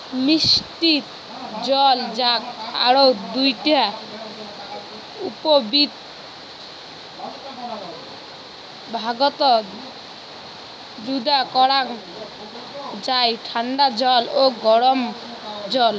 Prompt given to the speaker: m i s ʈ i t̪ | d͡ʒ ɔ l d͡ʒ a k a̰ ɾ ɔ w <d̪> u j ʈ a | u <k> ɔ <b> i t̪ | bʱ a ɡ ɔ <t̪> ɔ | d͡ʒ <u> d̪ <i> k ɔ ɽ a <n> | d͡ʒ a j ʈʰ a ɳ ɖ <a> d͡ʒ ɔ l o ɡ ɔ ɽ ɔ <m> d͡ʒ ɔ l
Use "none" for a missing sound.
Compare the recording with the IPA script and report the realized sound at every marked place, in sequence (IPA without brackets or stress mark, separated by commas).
d̪, p, b, t̪, u, a, ŋ, a, m